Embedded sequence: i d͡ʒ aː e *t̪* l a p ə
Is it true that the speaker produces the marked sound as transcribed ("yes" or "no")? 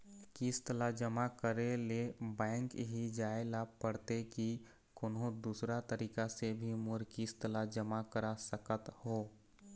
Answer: no